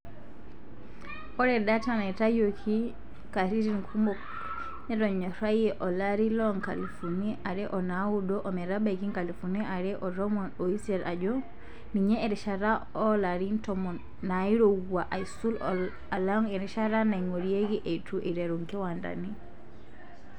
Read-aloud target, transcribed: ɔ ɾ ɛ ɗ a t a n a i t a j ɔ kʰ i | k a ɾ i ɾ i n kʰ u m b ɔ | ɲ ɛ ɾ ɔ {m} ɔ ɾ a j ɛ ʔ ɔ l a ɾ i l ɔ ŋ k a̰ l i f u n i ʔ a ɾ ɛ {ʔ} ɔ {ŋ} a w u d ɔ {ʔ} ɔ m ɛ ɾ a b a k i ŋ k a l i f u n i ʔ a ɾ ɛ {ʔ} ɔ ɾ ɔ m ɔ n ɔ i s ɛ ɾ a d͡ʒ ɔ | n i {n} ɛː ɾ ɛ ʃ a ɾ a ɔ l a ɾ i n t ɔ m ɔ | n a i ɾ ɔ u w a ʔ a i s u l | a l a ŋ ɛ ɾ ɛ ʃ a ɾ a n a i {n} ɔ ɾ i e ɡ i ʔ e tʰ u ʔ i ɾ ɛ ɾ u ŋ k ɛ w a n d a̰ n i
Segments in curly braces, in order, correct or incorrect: incorrect: ɲ, correct, incorrect: n, correct, correct, incorrect: ɲ, incorrect: ŋ

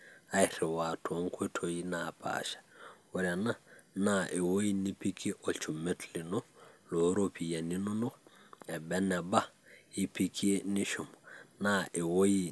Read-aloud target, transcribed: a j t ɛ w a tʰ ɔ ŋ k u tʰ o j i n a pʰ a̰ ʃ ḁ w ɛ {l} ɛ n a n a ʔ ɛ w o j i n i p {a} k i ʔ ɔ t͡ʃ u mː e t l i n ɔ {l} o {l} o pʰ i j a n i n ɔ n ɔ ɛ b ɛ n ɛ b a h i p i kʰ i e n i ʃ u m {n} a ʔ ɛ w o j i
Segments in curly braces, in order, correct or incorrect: incorrect: ɾ, incorrect: i, correct, incorrect: ɾ, correct

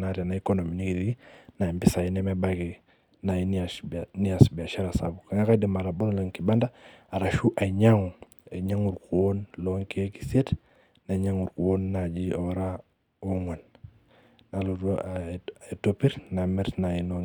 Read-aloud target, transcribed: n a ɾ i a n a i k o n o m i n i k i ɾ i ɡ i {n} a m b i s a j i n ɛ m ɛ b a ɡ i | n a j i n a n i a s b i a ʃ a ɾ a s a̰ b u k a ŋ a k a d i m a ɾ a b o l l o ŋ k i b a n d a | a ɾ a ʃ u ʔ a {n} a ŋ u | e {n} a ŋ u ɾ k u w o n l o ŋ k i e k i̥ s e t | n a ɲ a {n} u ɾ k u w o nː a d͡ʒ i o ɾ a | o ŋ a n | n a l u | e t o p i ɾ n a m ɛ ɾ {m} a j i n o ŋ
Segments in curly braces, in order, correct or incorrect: correct, incorrect: ɲ, incorrect: ɲ, incorrect: ŋ, incorrect: n

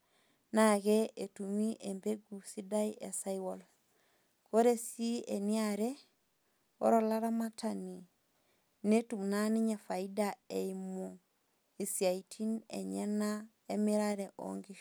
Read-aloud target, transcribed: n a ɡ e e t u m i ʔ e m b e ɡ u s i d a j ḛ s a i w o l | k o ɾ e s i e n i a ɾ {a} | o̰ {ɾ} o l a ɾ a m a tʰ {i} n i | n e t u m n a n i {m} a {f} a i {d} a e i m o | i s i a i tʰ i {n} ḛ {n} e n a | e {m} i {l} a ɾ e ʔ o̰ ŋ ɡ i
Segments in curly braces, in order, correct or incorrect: incorrect: e, correct, incorrect: a, incorrect: ɲ, correct, correct, correct, incorrect: ɲ, correct, incorrect: ɾ

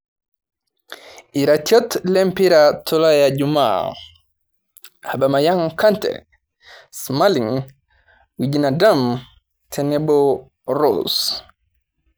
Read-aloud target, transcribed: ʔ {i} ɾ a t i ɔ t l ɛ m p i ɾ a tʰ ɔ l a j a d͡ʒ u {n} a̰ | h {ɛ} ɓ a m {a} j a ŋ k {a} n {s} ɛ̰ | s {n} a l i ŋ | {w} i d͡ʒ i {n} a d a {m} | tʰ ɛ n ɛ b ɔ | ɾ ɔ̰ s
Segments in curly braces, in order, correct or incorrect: correct, incorrect: m, incorrect: a, correct, correct, incorrect: t, incorrect: m, correct, correct, correct

